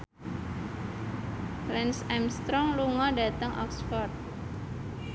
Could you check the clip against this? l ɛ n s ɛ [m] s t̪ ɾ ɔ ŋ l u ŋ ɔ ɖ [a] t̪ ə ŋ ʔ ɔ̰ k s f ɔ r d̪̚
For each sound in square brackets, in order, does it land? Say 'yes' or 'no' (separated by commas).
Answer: yes, yes